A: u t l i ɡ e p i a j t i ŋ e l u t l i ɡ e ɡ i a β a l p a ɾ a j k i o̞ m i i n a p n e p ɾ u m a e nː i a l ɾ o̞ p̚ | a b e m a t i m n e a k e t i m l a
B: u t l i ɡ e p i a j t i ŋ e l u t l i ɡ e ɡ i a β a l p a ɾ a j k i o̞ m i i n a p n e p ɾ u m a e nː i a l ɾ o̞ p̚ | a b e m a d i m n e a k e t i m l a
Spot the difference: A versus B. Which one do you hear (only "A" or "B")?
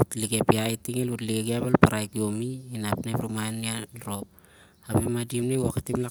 B